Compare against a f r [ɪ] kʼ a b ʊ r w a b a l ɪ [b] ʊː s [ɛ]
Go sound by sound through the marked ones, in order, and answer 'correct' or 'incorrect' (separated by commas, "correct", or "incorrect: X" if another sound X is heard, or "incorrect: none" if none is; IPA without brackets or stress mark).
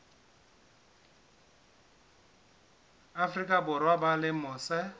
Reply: incorrect: i, incorrect: m, correct